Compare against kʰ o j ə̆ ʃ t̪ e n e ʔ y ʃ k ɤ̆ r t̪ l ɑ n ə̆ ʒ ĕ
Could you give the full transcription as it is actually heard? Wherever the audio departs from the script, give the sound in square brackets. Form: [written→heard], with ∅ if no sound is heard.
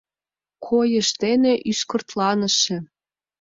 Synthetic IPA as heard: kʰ o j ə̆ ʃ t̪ e n e ʔ y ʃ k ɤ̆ r t̪ l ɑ n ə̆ [ʒ→ʃ] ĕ